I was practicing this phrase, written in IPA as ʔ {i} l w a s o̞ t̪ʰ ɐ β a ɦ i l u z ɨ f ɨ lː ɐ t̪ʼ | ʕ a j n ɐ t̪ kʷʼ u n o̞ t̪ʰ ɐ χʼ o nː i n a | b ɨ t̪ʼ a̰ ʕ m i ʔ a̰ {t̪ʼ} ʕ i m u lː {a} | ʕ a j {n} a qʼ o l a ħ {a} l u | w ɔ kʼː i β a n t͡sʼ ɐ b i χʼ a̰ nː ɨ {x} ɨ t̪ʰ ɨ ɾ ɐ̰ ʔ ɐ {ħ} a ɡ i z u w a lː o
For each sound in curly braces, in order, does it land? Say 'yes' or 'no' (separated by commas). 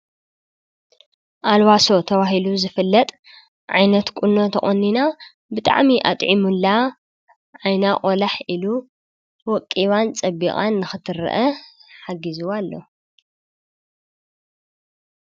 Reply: no, yes, yes, yes, no, yes, yes